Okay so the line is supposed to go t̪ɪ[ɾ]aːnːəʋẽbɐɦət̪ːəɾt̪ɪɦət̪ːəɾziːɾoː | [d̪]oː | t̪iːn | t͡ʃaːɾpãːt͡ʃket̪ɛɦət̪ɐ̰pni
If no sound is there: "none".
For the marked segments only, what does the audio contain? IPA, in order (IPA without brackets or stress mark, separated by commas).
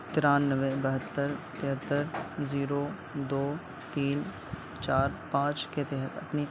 ɾ, d̪